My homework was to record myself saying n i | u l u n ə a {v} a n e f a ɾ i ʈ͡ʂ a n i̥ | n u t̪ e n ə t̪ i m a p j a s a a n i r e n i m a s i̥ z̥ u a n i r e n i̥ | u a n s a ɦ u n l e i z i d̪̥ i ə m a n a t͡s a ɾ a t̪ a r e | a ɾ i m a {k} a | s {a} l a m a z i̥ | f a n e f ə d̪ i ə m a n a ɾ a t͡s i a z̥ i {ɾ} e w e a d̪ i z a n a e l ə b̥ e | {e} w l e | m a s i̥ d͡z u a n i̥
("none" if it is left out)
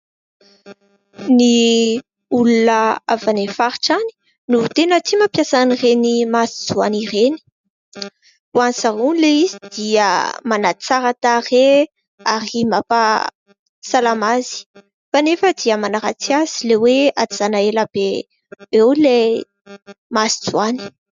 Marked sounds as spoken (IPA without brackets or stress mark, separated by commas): v, p, a, l, e